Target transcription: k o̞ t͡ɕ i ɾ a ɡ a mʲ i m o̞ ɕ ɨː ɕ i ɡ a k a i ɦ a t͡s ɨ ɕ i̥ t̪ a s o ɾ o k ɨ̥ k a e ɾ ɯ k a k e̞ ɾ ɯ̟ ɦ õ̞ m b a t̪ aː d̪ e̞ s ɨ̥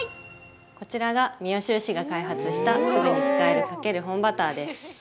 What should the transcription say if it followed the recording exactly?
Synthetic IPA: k o̞ t͡ɕ i ɾ a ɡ a mʲ i o̞ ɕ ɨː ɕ i ɡ a k a i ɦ a t͡s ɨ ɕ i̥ t̪ a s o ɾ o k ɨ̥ k a e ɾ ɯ k a k e̞ ɾ ɯ̟ ɦ õ̞ m b a t̪ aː d̪ e̞ s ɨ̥